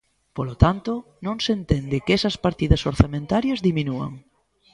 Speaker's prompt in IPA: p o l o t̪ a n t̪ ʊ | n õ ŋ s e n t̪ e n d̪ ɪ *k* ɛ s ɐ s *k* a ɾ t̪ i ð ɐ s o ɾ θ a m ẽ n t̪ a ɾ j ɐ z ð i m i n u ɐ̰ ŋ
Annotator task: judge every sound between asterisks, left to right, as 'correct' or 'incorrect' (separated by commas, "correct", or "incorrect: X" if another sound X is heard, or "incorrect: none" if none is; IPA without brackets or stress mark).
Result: correct, incorrect: p